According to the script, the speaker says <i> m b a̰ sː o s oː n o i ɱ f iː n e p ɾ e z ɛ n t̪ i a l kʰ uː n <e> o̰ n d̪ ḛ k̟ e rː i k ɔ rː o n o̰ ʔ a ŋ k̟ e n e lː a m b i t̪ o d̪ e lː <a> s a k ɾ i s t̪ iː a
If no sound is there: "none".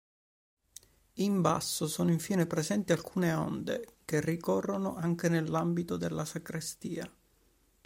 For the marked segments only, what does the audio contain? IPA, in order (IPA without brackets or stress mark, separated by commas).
i, e, a